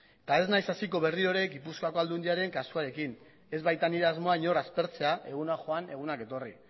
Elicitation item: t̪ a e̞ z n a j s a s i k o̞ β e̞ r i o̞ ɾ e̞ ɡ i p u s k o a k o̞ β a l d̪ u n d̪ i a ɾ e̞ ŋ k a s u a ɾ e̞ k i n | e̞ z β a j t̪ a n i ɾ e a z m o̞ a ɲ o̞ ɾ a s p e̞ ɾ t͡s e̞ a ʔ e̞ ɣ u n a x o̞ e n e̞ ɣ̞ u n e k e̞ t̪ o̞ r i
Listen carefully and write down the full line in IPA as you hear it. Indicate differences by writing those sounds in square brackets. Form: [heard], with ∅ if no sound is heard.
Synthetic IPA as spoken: t̪ a e̞ z n a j s a s i k o̞ β e̞ r i o̞ ɾ e̞ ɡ i p u s k o a k o̞ [∅] a l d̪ u n d̪ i a ɾ e̞ ŋ k a s u a ɾ e̞ k i n | e̞ z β a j t̪ a n i ɾ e a z m o̞ a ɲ o̞ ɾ a s p e̞ ɾ t͡s e̞ a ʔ e̞ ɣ u n a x o̞ [a] n e̞ ɣ̞ u n [a] k e̞ t̪ o̞ r i